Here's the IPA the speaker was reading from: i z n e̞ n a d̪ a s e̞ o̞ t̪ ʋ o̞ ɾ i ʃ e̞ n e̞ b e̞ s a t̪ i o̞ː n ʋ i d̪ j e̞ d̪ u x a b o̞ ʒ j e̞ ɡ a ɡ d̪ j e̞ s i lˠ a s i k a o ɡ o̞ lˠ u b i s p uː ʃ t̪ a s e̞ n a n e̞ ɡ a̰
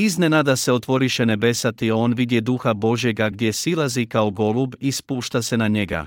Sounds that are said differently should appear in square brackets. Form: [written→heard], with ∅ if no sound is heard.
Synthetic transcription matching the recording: i z n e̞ n a d̪ a s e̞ o̞ t̪ ʋ o̞ ɾ i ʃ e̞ n e̞ b e̞ s a t̪ i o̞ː n ʋ i d̪ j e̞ d̪ u x a b o̞ ʒ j e̞ ɡ a ɡ d̪ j e̞ s i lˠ a [s→z] i k a o ɡ o̞ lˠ u b i s p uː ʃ t̪ a s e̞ n a [n→ɲ] e̞ ɡ a̰